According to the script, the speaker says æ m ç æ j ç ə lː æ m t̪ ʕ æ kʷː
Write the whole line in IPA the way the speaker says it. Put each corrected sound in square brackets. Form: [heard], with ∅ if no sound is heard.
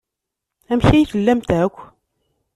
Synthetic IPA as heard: æ m ç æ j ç ə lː æ m t̪ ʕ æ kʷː